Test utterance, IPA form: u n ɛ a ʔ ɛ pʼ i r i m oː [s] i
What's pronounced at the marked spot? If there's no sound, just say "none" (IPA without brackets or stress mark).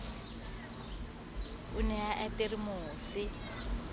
s